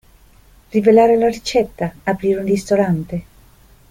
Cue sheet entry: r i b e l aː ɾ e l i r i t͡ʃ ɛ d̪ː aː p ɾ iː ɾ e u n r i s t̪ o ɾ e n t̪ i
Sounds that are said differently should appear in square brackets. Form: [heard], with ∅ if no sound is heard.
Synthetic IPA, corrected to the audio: r i [v] e l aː ɾ e l [a] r i t͡ʃ ɛ [t̪ː] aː p ɾ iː ɾ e u n r i s t̪ o ɾ [a] n t̪ [e]